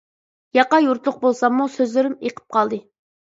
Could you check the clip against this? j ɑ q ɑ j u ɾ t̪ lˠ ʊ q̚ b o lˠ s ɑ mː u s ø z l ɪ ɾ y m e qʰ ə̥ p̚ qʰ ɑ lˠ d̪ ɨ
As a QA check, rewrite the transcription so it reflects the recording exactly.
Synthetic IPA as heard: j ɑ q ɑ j u ɾ t̪ lˠ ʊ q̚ b o lˠ s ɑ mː u s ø z l ɪ ɾ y m e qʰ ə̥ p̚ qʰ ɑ lˠ d̪ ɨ